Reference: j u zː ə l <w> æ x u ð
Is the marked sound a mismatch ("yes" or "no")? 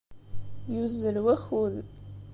no